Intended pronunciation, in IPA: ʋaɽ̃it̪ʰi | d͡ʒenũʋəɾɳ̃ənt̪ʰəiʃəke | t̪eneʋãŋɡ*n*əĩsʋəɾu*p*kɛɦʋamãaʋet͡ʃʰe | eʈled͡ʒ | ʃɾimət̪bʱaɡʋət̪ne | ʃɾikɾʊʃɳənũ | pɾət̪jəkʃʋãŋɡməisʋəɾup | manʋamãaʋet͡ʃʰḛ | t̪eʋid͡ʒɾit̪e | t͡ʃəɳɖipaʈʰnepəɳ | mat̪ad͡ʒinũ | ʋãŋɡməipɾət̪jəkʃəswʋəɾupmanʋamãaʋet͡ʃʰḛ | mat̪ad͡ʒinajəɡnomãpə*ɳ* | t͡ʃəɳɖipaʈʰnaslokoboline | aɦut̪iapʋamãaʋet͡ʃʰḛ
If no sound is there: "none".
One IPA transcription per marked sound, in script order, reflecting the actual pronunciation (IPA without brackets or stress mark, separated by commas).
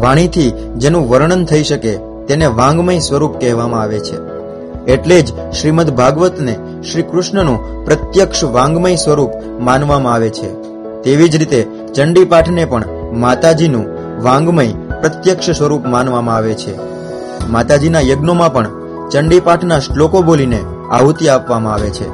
m, p, ɳ